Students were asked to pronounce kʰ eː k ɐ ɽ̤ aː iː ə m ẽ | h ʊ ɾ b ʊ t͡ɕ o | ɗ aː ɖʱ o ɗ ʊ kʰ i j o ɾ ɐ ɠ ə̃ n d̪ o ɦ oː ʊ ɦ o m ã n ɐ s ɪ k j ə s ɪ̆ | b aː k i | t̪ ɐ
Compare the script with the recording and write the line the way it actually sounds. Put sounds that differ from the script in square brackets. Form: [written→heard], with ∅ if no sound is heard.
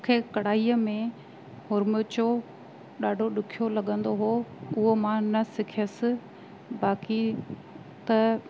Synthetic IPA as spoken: kʰ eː k ɐ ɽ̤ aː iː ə m ẽ | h ʊ ɾ [b→m] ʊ t͡ɕ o | ɗ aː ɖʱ o ɗ ʊ kʰ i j o [ɾ→l] ɐ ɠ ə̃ n d̪ o ɦ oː ʊ ɦ o m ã n ɐ s ɪ [k→kʰ] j ə s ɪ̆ | b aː k i | t̪ ɐ